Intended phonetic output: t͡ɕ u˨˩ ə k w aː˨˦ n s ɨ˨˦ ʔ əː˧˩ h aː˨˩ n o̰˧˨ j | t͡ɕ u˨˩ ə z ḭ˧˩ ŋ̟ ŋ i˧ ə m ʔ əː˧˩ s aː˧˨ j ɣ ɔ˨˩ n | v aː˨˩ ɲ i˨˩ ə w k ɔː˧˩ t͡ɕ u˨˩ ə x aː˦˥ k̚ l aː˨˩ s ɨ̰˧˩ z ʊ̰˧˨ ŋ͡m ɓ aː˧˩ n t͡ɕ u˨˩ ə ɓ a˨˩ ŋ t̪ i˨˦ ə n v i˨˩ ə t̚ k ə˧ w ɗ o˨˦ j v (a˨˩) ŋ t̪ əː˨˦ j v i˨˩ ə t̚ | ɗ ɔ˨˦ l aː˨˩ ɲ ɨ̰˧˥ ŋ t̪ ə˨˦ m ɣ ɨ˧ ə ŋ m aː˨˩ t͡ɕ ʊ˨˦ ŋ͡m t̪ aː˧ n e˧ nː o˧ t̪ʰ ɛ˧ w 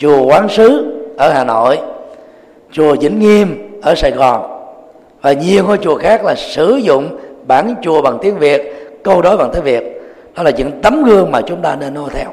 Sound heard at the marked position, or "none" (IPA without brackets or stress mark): a˨˩